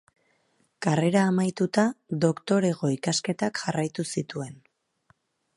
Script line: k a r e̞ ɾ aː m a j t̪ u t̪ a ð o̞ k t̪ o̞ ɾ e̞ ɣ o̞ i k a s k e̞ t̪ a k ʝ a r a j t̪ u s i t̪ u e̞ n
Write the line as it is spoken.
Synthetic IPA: k a r e̞ ɾ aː m a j t̪ u t̪ a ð o̞ k t̪ o̞ ɾ e̞ ɣ o̞ i k a s k e̞ t̪ a k ʝ a r a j t̪ u s i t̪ u e̞ n